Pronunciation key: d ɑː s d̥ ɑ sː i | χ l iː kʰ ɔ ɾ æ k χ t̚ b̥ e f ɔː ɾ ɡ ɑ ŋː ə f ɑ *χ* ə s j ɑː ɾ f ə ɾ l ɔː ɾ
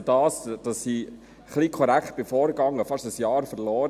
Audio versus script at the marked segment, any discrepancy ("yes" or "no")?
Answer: yes